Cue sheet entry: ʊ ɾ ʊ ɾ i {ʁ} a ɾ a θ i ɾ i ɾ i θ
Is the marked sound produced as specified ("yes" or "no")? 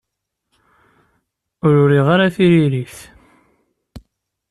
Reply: yes